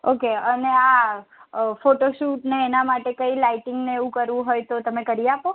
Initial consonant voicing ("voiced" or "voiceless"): voiceless